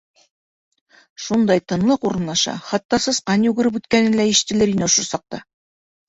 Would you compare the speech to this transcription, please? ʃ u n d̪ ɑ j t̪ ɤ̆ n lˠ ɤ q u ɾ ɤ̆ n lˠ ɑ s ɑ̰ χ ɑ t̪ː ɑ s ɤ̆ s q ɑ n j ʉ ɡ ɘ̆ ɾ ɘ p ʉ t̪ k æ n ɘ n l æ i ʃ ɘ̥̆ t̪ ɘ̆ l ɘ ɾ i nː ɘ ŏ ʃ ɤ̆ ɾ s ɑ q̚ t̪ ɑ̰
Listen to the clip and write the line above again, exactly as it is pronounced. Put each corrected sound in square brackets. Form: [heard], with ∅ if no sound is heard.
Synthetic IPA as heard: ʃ u n d̪ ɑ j t̪ ɤ̆ n lˠ ɤ q u ɾ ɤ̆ n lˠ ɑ [ʃ] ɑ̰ χ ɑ t̪ː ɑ s ɤ̆ s q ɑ n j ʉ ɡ ɘ̆ ɾ ɘ p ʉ t̪ k æ n ɘ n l æ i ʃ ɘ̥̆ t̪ ɘ̆ l ɘ ɾ i [n] ɘ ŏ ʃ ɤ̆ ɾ s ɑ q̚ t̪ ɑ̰